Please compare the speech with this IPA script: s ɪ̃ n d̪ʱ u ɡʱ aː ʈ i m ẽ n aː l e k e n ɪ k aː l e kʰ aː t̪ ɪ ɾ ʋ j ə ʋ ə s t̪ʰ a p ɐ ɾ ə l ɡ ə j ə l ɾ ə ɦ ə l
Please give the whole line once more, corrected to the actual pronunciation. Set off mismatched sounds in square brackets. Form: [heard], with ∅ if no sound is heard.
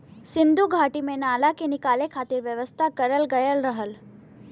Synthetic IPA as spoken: s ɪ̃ n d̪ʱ u ɡʱ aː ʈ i m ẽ n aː l [a] k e n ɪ k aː l e kʰ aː t̪ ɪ ɾ ʋ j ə ʋ ə s t̪ʰ a [k] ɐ ɾ ə l ɡ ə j ə l ɾ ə ɦ ə l